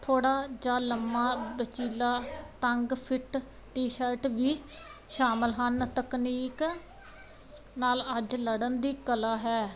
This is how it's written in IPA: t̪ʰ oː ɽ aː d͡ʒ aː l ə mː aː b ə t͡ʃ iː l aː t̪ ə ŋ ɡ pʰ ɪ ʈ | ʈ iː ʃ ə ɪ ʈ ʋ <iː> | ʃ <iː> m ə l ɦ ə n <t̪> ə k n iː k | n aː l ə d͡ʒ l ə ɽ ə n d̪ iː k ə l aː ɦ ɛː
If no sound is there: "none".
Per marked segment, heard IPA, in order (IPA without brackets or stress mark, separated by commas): iː, aː, t̪